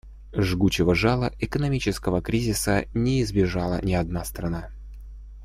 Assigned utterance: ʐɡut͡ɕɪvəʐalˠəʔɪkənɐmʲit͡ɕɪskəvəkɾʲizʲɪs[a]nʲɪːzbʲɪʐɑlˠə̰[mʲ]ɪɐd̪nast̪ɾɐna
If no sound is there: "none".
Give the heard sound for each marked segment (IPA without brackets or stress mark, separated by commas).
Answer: ə, nʲ